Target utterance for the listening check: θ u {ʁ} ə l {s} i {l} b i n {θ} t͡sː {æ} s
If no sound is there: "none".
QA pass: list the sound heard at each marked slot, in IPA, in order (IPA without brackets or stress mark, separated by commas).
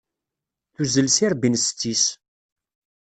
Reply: z, s, ɾ, s, i